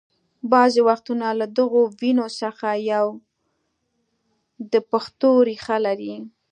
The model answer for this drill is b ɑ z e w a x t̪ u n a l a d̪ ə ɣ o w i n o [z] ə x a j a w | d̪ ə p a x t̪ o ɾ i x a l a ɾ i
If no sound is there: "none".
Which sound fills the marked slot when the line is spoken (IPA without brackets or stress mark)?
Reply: s